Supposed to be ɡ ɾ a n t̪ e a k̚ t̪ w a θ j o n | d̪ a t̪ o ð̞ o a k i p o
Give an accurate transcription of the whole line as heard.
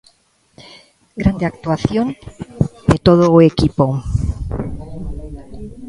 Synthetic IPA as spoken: ɡ ɾ a n d̪ e a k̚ t̪ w a θ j o n | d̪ e t̪ o ð̞ o e k i p o